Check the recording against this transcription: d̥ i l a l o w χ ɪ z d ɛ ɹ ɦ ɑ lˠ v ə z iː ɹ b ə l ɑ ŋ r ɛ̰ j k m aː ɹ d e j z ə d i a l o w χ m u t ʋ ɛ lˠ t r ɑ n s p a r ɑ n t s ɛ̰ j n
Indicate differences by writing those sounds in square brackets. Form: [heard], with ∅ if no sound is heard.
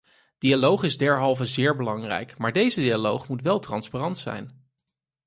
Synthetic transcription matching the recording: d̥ i [∅] a l o w χ ɪ z d ɛ ɹ ɦ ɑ lˠ v ə z [ɪː] ɹ b ə l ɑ ŋ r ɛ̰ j k m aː ɹ d e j z ə d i a l o w χ m u t ʋ ɛ lˠ t r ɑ n s p a r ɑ n t s ɛ̰ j n

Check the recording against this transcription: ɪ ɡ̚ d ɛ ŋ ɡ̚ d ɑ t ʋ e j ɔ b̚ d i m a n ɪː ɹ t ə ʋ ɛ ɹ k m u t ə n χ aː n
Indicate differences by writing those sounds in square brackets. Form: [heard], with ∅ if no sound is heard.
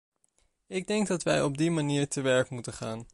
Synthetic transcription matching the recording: ɪ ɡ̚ d ɛ ŋ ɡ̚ d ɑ t ʋ [ɛ] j ɔ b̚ d i m a n [iː] ɹ t ə ʋ ɛ ɹ k m u t ə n χ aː n

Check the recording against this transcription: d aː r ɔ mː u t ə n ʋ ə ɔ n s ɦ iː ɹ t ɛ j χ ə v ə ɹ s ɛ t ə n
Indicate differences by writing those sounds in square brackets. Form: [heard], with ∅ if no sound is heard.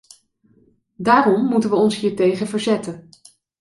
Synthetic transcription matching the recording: d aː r ɔ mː u t ə n ʋ ə ɔ n s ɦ iː ɹ t [e] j χ ə v ə ɹ [z] ɛ t ə n

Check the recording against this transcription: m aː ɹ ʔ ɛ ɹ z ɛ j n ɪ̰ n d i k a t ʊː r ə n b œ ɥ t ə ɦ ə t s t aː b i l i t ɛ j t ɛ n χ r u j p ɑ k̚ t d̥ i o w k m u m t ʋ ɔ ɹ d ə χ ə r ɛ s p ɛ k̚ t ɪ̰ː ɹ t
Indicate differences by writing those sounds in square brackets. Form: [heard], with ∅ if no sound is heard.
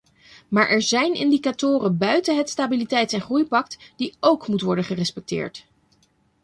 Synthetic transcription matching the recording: m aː ɹ ʔ ɛ ɹ z ɛ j n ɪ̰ n d i k a t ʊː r ə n b œ ɥ t ə ɦ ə t s t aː b i l i t ɛ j t ɛ n χ r u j p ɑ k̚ t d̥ i o w k m u [∅] t ʋ ɔ ɹ d ə χ ə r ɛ s p ɛ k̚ t ɪ̰ː ɹ t

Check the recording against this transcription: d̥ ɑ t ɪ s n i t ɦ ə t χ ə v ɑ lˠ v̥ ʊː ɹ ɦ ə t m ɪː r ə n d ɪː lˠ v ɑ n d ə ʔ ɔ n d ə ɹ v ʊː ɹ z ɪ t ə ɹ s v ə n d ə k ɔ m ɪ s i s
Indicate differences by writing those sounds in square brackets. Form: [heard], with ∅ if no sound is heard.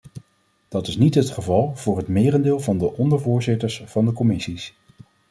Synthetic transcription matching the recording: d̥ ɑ t ɪ s n i t ɦ ə t χ ə v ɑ lˠ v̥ ʊː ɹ ɦ ə t m ɪː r ə n d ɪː lˠ v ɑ n d ə ʔ ɔ n d ə ɹ v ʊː ɹ z ɪ t ə ɹ s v [ɑ] n d ə k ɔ m ɪ s i s

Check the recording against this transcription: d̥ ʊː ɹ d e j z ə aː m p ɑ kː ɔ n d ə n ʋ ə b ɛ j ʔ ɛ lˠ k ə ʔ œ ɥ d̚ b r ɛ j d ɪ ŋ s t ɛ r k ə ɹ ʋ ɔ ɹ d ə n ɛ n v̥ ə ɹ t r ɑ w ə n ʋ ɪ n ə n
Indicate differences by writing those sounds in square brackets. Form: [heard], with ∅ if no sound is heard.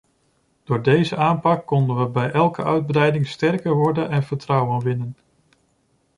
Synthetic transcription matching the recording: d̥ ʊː ɹ d e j z ə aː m p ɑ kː ɔ n d ə n ʋ ə b ɛ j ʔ ɛ lˠ k ə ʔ œ ɥ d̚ b r ɛ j d ɪ ŋ s t ɛ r k ə ɹ ʋ ɔ ɹ d ə n ɛ n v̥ ə ɹ t r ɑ w ə n ʋ ɪ n ə n

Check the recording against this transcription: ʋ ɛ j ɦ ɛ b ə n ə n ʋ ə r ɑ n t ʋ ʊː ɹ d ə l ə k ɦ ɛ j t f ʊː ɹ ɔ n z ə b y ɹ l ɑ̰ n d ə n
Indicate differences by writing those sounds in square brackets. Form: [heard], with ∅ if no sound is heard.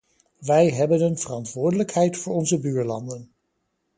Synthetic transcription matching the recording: ʋ ɛ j ɦ ɛ b ə n ə n [v] ə r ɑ n t ʋ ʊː ɹ d ə l ə k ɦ ɛ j t f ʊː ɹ ɔ n z ə b [yː] ɹ l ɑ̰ n d ə n

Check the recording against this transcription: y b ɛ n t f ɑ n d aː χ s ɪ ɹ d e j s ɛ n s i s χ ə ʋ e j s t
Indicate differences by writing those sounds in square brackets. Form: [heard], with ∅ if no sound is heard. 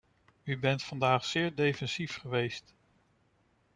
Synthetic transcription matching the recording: y b ɛ n t f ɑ n d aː χ s [ɪː] ɹ d e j [f] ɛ n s i [f] χ ə ʋ e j s t

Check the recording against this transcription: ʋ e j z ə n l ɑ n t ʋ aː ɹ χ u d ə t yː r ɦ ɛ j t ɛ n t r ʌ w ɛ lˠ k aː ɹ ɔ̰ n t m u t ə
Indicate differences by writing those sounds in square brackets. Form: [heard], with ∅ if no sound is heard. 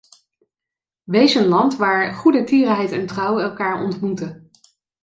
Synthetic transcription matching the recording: ʋ e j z ə n l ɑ n t ʋ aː ɹ χ u d ə t [iː] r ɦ ɛ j t ɛ n t r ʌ w ɛ lˠ k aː ɹ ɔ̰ n t m u t ə

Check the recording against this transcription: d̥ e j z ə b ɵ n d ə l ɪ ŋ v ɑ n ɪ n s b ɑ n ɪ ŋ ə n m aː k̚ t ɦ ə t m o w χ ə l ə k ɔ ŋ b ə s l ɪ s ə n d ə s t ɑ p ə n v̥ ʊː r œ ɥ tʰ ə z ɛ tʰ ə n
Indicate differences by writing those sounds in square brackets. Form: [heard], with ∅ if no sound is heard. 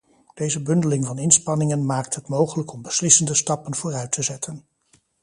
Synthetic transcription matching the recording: d̥ e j z ə b ɵ n d ə l ɪ ŋ v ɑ n ɪ n s [p] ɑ n ɪ ŋ ə n m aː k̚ t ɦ ə t m o w χ ə l ə k ɔ [m] b ə s l ɪ s ə n d ə s t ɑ p ə n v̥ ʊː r œ ɥ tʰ ə z ɛ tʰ ə n

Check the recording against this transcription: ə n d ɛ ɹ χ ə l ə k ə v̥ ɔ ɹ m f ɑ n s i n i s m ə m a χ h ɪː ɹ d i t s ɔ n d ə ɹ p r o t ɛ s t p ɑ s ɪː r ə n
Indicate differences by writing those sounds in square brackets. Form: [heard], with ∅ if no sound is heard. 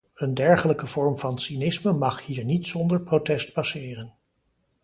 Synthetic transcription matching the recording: ə n d ɛ ɹ χ ə l ə k ə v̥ ɔ ɹ m [v] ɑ n s i n [ɪ] s m ə m [ɑ] χ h [iː] ɹ [n] i t s ɔ n d ə ɹ p r o t ɛ s t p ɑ s ɪː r ə n

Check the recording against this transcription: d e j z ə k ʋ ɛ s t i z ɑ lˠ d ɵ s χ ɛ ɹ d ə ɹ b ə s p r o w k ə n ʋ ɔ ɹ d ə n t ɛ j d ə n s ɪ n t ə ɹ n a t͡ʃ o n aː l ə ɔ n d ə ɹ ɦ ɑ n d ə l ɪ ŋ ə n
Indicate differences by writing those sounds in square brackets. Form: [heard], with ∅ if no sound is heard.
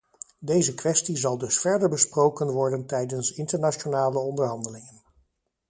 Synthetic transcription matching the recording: d e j z ə k ʋ ɛ s t i z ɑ lˠ d ɵ s [f] ɛ ɹ d ə ɹ b ə s p r o w k ə n ʋ ɔ ɹ d ə n t ɛ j d ə n s ɪ n t ə ɹ n a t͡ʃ o n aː l ə ɔ n d ə ɹ ɦ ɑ n d ə l ɪ ŋ ə n

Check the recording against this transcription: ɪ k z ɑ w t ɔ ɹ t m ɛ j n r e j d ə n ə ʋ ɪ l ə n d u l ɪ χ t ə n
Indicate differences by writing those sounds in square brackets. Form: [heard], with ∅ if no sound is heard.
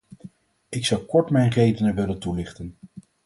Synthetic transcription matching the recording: ɪ k [s] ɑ w [k] ɔ ɹ t m ɛ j n r e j d ə n ə ʋ ɪ l ə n [t] u l ɪ χ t ə n

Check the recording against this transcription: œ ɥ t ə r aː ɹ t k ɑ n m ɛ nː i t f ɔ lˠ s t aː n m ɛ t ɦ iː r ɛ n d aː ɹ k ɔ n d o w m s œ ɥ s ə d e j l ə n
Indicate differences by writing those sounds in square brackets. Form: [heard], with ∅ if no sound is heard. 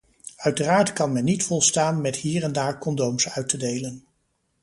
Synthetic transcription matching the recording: œ ɥ t ə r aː ɹ t k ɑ n m ɛ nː i t f ɔ lˠ s t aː n m ɛ t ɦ iː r ɛ n d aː ɹ k ɔ n d o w m s œ ɥ [t] ə d e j l ə n

